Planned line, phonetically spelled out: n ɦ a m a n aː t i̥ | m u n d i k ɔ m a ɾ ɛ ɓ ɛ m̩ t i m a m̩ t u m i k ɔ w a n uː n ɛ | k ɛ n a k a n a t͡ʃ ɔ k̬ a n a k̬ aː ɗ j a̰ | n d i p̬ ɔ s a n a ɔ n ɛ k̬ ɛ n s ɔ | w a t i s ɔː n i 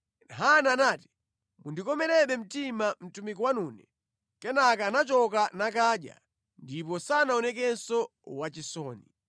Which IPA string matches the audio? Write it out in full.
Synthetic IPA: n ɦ a n a n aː t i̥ | m u n d i k ɔ m ɛ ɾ ɛ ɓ ɛ m̩ t i m a m̩ t u m i k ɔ w a n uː n ɛ | k ɛ n a k a n a t͡ʃ ɔ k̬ a n a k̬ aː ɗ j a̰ | n d i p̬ ɔ s a n a ɔ n ɛ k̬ ɛ n s ɔ | w a t͡ʃ i s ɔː n i